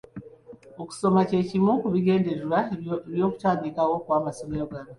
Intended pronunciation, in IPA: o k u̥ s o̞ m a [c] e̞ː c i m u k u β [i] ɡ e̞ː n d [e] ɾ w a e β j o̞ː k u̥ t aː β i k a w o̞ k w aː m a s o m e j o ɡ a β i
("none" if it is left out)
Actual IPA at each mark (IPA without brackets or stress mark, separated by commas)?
c, i, e